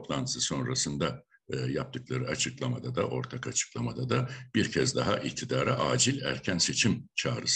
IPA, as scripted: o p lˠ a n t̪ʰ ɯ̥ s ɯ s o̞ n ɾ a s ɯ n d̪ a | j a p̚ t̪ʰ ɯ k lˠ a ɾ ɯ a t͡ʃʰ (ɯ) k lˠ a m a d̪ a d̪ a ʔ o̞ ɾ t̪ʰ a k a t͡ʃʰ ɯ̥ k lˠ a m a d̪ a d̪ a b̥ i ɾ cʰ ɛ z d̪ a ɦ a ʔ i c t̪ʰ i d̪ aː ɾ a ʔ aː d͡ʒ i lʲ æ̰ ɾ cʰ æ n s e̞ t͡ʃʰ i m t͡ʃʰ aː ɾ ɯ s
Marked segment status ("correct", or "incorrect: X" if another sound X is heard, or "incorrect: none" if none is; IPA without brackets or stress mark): correct